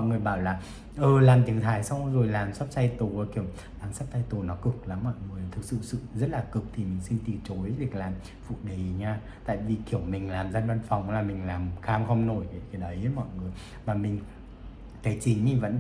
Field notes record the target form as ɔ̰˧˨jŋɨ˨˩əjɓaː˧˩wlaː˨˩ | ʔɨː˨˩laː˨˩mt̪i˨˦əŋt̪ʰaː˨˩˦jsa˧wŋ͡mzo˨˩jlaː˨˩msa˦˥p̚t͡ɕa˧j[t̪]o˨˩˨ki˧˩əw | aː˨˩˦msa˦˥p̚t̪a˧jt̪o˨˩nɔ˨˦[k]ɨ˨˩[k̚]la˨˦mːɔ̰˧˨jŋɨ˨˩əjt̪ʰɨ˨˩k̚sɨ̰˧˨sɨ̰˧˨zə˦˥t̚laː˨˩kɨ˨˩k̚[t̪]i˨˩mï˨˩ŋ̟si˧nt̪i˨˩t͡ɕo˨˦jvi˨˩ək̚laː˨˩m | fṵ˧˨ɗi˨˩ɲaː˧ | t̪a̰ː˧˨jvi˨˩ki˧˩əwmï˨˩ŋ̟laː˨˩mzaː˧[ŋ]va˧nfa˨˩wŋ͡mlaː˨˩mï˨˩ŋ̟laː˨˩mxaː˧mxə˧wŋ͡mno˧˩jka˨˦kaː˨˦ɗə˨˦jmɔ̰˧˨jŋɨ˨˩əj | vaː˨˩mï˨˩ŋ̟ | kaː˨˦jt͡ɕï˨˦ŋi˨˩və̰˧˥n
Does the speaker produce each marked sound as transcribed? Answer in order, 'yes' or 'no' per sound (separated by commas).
yes, yes, yes, no, no